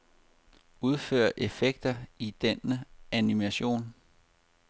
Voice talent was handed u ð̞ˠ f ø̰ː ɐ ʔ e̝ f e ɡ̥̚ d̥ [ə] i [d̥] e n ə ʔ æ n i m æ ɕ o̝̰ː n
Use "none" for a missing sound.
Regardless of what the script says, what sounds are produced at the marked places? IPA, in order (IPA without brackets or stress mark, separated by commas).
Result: ɐ, d̥